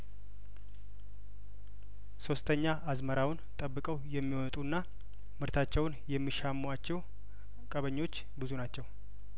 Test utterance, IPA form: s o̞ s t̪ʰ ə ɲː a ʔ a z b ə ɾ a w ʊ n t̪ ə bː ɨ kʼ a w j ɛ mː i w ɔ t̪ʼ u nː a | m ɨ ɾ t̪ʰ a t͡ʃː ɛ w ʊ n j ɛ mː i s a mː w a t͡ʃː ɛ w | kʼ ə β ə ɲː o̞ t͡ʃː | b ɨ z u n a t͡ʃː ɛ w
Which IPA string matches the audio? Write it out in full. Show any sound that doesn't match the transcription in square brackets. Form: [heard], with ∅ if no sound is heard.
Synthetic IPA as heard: s o̞ s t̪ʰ ə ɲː a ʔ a z [m] ə ɾ a w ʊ n [t̪ʼ] ə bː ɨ kʼ [ə] w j ɛ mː i w ɔ t̪ʼ u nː a | m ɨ ɾ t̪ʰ a t͡ʃː ɛ w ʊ n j ɛ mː i [ʃ] a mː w a t͡ʃː ɛ w | kʼ ə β ə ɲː o̞ t͡ʃː | b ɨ z u n a t͡ʃː ɛ w